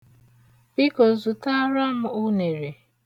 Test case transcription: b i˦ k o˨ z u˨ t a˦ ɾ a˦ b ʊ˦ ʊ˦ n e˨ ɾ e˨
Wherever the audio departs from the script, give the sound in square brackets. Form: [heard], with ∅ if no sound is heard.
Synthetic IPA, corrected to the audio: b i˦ k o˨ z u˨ t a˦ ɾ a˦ [m] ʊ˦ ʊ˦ n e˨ ɾ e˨